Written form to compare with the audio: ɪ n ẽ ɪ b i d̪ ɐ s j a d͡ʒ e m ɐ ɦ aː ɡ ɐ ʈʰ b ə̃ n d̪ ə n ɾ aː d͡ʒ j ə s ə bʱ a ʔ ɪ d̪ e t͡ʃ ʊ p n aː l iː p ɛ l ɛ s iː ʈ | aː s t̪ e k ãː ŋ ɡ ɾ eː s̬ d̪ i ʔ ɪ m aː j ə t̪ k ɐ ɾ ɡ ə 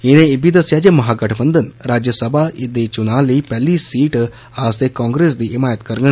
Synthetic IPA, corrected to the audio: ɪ n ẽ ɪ b i d̪ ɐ s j a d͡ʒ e m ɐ ɦ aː ɡ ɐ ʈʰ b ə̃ n d̪ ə n ɾ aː d͡ʒ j ə s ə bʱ a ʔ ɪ d̪ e t͡ʃ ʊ n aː l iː p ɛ l i s iː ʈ | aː s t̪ e k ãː ŋ ɡ ɾ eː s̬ d̪ i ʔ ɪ m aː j ə t̪ k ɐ ɾ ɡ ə